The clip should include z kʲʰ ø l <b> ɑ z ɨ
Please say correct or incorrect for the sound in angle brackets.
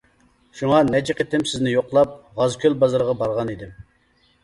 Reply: correct